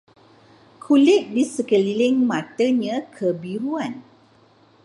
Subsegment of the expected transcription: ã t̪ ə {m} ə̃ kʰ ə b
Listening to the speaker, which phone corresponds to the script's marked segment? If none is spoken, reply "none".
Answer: ɲ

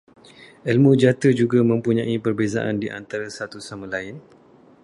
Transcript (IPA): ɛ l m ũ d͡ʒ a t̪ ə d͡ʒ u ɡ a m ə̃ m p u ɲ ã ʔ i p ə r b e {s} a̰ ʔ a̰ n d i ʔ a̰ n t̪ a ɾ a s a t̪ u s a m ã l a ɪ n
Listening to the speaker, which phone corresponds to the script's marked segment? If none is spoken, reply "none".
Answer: z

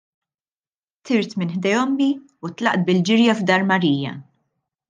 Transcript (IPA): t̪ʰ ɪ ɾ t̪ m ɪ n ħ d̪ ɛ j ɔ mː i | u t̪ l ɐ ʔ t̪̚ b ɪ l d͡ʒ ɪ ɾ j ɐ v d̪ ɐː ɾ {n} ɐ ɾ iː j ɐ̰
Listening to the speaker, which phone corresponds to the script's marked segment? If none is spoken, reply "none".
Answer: m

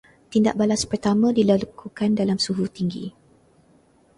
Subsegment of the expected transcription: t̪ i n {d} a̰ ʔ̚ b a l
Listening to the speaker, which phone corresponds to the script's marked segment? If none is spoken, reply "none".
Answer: d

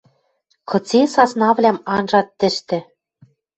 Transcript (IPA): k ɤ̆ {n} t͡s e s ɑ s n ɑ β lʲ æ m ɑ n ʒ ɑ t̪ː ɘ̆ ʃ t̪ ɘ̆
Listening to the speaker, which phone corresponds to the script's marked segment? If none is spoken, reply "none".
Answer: none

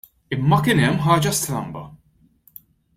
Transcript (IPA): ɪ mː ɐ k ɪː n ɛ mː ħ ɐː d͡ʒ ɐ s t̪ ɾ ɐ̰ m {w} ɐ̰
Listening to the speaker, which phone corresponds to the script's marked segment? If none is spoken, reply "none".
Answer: b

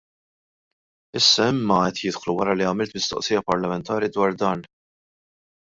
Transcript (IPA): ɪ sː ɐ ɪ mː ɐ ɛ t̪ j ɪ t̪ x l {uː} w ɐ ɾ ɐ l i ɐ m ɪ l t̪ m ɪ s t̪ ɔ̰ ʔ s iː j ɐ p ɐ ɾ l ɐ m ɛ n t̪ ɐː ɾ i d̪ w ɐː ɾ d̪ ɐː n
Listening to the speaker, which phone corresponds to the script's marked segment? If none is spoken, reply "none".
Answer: u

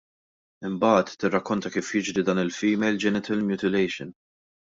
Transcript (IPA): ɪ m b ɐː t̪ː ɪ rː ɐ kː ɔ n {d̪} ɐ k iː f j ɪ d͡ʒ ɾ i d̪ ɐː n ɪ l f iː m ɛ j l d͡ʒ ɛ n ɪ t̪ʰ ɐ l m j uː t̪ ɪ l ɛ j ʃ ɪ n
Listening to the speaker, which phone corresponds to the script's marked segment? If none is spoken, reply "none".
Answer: t̪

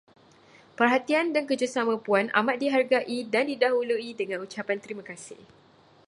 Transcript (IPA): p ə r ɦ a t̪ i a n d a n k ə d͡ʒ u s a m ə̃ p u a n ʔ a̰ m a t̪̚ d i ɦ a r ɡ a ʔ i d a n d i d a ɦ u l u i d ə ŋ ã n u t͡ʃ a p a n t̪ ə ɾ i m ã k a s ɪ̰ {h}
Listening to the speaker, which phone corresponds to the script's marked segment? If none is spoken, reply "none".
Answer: h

